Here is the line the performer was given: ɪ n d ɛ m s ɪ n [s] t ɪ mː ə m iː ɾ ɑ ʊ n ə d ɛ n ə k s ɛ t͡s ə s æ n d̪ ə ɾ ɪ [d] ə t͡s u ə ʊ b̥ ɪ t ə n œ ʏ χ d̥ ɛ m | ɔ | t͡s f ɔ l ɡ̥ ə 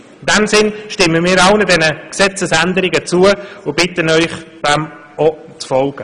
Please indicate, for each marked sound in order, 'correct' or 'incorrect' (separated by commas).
incorrect, incorrect